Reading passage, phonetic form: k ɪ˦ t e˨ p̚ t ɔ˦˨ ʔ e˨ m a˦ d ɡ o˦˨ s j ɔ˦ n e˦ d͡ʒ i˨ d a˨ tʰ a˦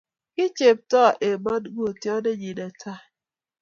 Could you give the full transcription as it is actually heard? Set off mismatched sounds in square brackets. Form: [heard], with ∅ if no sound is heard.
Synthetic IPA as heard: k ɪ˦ [t͡ʃ] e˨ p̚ t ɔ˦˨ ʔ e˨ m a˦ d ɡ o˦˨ [t] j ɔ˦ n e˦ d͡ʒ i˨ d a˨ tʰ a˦